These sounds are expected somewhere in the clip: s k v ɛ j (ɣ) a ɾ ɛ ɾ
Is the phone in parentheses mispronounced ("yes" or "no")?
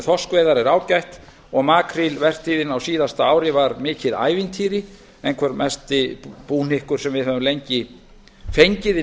yes